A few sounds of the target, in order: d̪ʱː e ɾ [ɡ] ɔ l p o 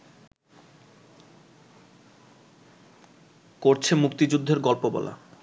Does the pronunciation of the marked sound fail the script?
no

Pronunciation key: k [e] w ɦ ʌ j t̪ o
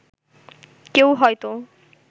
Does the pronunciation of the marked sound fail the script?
no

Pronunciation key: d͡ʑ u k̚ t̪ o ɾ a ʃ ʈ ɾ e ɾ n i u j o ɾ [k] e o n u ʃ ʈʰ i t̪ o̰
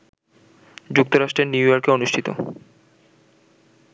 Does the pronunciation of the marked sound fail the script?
no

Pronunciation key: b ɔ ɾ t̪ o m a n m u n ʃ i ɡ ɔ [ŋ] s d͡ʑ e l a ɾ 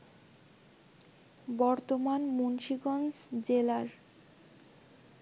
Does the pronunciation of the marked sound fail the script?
yes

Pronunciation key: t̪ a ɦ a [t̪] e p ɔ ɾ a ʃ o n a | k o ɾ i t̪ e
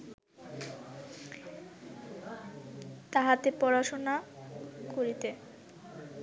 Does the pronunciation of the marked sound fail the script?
no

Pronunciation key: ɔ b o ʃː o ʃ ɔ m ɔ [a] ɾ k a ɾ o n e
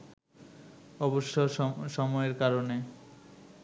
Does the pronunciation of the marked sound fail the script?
yes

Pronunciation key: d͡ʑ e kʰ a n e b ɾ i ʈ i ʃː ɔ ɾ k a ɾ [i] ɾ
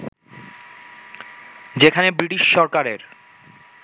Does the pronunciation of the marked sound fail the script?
yes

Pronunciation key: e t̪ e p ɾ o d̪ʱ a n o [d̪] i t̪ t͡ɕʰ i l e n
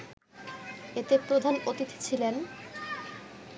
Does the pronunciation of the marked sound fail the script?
yes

